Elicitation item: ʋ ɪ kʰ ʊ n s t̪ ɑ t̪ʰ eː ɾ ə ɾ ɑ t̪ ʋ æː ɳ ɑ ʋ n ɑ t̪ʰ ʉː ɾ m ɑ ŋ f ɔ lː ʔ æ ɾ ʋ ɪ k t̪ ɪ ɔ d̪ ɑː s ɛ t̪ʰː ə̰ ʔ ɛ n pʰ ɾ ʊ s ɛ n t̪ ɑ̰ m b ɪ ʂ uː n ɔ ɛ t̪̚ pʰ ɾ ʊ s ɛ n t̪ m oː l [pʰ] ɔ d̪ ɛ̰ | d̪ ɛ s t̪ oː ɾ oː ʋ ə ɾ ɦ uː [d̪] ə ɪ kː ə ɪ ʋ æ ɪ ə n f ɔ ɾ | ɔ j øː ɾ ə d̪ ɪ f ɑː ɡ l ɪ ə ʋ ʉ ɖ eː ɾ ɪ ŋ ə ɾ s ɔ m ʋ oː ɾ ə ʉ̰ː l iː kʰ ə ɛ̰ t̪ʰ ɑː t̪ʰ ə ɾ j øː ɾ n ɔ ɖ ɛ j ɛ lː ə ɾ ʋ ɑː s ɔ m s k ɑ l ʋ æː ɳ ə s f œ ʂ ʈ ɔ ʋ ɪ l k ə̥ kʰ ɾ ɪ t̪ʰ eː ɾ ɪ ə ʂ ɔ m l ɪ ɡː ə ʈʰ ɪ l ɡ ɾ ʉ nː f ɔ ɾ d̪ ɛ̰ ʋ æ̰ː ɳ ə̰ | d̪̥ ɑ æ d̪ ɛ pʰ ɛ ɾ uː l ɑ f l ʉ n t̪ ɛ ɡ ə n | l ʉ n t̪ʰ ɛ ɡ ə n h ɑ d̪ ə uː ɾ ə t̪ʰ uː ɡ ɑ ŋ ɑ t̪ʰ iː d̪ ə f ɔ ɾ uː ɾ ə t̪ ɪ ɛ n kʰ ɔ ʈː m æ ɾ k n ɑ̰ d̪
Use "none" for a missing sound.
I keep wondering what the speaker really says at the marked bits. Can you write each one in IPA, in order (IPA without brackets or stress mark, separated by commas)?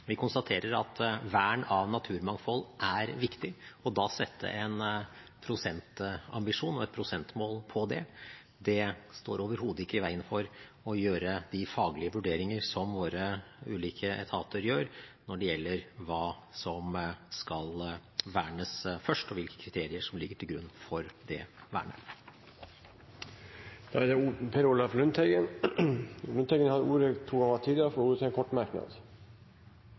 pʰ, d̪